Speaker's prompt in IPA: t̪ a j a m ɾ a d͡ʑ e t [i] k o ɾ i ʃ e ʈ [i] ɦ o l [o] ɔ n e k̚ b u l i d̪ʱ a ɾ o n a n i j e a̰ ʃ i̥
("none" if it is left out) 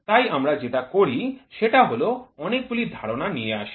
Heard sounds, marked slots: a, a, o

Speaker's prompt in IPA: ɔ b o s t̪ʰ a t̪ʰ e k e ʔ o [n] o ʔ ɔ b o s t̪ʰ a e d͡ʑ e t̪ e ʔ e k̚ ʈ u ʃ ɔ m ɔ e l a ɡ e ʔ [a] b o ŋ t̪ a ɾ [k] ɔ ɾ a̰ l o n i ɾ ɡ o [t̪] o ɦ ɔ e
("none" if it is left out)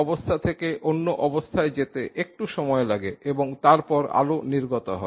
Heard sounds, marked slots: nː, e, p, t̪

